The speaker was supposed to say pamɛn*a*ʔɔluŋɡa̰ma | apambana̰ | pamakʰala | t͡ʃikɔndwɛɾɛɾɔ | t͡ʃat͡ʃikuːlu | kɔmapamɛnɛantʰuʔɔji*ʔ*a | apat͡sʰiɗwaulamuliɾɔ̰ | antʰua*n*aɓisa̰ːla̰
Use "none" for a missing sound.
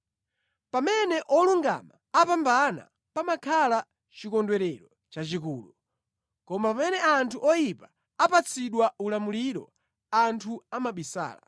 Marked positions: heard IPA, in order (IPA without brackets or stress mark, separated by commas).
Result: ɛ, p, m